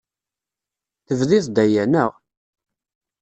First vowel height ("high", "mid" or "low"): mid